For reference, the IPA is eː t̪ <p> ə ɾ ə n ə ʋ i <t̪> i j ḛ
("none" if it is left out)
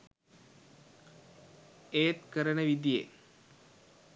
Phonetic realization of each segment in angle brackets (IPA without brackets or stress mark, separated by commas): k, d̪